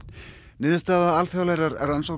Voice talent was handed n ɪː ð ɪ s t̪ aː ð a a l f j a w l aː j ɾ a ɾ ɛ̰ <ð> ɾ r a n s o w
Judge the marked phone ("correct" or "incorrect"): incorrect